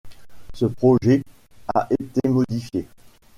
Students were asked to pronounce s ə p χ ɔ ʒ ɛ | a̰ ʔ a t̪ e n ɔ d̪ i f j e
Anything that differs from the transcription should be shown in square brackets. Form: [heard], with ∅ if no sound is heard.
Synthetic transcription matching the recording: s ə p χ ɔ ʒ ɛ | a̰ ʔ [e] t̪ e [m] ɔ d̪ i f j e